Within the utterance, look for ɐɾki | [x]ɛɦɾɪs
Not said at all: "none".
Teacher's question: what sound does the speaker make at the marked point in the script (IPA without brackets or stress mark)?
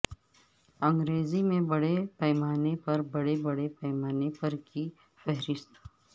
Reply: f